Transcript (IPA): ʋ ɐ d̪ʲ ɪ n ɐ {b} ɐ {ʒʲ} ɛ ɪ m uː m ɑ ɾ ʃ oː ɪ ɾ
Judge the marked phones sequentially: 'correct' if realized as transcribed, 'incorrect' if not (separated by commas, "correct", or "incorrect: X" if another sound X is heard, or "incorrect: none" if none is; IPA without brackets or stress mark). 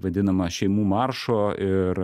incorrect: m, incorrect: ʃʲ